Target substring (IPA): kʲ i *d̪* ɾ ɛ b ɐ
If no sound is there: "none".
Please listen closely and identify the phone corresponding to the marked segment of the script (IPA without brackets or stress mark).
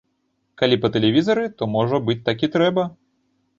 t̪